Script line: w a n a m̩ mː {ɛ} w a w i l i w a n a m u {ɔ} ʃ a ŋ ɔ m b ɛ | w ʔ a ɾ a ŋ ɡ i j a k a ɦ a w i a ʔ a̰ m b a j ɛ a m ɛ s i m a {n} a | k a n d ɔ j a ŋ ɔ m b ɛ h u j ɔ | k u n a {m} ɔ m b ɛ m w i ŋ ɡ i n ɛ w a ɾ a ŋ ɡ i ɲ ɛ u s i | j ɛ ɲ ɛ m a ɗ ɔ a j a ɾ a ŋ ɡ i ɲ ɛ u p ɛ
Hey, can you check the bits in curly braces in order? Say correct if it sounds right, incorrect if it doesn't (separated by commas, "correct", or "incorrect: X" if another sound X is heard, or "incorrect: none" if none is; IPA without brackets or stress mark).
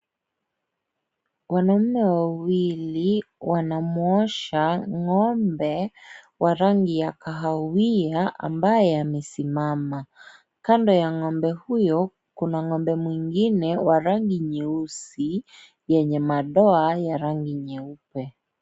correct, correct, incorrect: m, incorrect: ŋ